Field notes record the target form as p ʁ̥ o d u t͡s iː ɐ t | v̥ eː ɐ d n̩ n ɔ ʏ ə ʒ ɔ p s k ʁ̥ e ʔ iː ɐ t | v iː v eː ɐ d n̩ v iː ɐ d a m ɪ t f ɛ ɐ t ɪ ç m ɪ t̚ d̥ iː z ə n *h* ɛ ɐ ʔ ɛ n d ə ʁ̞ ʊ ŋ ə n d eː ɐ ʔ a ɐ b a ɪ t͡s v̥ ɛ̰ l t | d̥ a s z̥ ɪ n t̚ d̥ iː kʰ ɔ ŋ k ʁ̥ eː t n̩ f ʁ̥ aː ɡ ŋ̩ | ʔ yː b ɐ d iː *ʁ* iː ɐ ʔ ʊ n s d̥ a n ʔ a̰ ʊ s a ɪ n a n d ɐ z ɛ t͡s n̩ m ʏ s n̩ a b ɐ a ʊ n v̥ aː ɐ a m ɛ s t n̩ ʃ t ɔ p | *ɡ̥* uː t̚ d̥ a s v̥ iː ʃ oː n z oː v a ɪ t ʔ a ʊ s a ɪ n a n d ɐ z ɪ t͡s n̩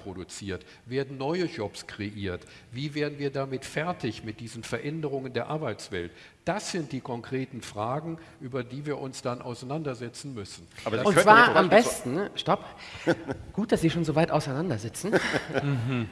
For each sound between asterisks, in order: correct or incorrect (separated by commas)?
incorrect, incorrect, correct